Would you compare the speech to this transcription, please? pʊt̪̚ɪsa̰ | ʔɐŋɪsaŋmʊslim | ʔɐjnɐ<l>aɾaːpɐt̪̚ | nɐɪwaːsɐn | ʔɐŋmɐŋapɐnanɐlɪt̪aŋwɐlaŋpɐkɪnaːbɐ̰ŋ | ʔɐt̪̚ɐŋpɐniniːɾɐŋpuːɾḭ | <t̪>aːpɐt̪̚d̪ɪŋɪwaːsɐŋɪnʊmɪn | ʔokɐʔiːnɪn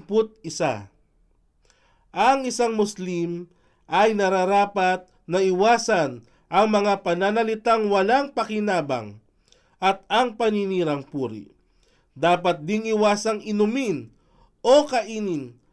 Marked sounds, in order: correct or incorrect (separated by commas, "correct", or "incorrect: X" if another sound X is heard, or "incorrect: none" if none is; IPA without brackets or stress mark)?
incorrect: ɾ, incorrect: d̪